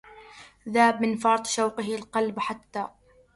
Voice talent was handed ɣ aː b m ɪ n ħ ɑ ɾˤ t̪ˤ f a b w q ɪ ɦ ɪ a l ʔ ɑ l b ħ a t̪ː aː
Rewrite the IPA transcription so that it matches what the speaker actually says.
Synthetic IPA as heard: ð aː b m ɪ n f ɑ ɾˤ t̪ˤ ʃ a w q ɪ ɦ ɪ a l q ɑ l b ħ a t̪ː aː